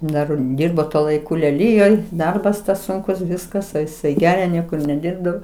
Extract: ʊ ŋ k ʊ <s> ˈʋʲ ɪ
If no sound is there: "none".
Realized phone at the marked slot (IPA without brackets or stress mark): s